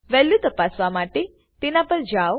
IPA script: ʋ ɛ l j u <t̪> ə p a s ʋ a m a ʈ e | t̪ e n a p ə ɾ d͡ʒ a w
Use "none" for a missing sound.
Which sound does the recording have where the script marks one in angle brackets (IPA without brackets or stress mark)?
t̪